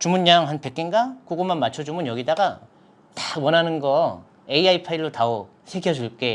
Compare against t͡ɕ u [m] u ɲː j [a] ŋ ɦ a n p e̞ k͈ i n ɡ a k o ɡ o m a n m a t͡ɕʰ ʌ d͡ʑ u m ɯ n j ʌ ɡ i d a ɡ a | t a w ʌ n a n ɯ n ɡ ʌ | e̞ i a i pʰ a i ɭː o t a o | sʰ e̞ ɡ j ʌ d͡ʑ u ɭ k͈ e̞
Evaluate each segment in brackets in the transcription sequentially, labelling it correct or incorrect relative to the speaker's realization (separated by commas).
correct, correct